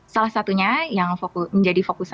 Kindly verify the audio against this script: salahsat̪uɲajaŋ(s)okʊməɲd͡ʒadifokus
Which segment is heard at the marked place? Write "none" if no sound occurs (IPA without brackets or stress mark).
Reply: f